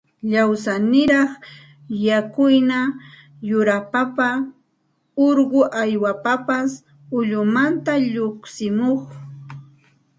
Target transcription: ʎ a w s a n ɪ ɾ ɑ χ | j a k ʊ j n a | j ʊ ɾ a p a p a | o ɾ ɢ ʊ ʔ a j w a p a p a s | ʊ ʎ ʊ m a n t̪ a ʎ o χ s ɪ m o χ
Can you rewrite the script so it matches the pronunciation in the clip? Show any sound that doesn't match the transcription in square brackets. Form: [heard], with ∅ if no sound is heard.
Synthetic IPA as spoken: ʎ a w s a n ɪ ɾ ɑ χ | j a k ʊ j n a | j ʊ ɾ a p a p a | o ɾ ɢ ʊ ʔ a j w a p a p a s | ʊ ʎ ʊ m a n t̪ a ʎ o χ s ɪ m o χ